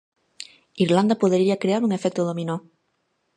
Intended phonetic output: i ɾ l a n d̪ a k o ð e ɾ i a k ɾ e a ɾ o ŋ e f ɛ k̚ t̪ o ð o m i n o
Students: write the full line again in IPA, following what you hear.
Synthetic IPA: i ɾ l a n d̪ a p o ð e ɾ i a k ɾ e a ɾ u ŋ e f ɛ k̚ t̪ o ð o m i n o